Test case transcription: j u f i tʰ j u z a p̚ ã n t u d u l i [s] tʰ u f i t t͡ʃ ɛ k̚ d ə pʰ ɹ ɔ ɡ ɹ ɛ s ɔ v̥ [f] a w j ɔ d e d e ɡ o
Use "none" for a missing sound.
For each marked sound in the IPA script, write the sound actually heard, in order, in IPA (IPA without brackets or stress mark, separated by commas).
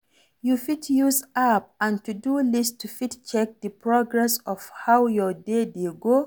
s, h